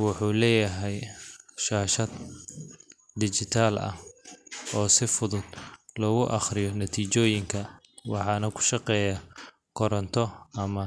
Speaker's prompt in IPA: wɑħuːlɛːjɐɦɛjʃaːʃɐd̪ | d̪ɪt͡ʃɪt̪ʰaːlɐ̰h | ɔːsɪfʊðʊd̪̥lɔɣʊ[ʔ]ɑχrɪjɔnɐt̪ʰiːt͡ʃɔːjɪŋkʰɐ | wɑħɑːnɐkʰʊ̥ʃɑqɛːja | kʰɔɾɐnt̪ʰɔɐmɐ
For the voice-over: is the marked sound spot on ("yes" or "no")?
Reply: yes